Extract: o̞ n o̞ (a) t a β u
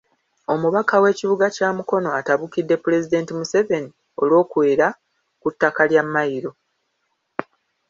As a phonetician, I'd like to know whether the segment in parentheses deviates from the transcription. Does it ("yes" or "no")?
no